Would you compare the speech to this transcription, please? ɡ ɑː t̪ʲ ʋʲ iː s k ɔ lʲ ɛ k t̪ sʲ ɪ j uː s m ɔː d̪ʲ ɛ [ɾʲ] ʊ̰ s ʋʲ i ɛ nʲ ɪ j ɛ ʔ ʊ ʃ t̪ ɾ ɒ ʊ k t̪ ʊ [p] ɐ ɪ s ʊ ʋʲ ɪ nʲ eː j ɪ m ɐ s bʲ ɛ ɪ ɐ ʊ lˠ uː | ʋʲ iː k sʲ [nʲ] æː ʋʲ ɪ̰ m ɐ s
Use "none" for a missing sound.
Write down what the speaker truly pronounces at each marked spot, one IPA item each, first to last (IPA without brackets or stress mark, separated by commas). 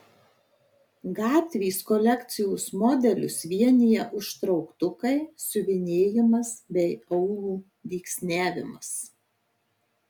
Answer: lʲ, k, nʲ